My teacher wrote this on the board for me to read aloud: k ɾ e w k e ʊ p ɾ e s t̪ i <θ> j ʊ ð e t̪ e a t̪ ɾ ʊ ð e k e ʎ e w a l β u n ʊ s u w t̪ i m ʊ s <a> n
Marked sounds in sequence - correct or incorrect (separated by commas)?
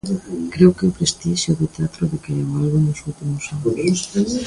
incorrect, correct